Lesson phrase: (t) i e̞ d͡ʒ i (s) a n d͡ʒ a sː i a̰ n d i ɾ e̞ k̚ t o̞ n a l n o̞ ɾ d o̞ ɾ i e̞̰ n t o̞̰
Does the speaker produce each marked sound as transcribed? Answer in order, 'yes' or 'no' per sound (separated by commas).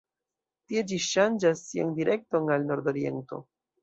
yes, no